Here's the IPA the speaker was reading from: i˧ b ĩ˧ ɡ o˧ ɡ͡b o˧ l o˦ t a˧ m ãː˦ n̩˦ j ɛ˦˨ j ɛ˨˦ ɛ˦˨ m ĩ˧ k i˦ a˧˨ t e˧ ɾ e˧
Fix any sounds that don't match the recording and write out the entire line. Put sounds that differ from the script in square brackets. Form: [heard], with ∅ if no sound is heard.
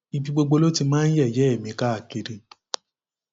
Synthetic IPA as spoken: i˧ b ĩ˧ [ɡ͡b] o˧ ɡ͡b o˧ l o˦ t [i˧] m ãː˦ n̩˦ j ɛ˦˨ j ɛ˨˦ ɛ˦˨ m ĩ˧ k [a˦] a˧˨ [k] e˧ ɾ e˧